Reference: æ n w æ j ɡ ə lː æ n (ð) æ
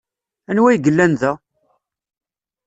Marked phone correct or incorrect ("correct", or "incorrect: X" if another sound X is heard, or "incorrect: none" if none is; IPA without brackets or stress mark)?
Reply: correct